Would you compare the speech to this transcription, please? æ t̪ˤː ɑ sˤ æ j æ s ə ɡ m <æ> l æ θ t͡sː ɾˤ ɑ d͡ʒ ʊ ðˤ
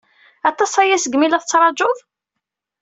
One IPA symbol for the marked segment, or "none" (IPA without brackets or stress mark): i